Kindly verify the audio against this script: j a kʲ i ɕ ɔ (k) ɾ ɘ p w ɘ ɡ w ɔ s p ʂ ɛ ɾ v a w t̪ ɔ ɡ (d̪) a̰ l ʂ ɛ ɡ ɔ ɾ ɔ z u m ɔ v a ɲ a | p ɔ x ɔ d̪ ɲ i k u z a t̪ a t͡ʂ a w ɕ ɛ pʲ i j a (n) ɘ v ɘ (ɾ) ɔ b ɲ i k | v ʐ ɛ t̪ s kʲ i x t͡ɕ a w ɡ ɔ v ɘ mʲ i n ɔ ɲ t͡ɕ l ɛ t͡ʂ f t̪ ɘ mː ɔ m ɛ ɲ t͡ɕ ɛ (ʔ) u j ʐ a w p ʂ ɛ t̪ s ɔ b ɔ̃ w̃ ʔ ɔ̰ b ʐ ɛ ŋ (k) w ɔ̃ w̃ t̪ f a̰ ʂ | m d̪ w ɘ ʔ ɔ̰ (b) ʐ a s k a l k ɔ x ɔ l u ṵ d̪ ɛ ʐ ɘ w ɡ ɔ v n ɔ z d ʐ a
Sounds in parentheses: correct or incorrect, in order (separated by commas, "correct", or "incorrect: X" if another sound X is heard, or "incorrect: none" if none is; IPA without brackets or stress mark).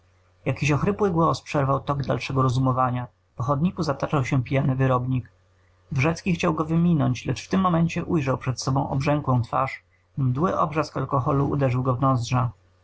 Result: incorrect: x, correct, correct, correct, correct, correct, correct